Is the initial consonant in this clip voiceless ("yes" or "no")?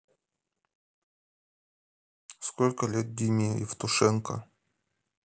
yes